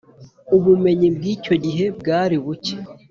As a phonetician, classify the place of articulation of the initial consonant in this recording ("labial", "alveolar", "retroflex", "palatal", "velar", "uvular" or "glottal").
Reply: labial